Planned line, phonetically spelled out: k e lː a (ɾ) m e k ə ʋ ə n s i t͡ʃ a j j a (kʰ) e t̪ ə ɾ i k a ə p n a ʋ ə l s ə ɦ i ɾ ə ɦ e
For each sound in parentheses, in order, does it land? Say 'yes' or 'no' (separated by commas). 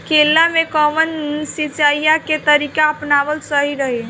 no, no